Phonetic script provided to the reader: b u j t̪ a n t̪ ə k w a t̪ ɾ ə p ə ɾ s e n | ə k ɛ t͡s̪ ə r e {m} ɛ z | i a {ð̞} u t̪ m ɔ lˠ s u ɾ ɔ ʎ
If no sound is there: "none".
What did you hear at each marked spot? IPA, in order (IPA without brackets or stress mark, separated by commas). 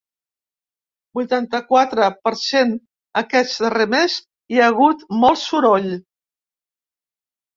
m, ɣ̞